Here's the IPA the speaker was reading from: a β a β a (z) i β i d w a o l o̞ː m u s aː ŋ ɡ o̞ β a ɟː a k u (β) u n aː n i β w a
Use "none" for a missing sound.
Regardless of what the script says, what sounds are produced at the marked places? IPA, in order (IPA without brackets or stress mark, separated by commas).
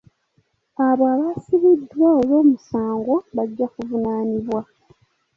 s, v